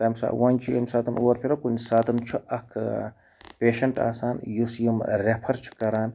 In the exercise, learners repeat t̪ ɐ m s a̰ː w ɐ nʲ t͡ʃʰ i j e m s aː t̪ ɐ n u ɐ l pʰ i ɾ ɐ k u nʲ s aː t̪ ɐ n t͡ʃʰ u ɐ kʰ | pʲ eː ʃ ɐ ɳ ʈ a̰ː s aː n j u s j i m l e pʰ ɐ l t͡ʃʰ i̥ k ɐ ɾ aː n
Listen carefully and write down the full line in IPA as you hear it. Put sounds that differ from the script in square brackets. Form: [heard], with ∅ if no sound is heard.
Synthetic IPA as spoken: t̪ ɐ m s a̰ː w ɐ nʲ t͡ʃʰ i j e m s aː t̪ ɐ n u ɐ [ɾ] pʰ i ɾ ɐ k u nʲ s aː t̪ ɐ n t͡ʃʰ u ɐ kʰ | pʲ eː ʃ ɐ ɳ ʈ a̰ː s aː n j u s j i m [ɾ] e pʰ ɐ [ɾ] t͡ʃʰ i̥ k ɐ ɾ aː n